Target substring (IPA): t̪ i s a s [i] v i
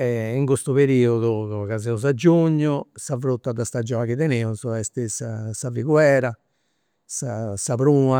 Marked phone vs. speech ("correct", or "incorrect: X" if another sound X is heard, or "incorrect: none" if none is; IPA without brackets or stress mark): incorrect: a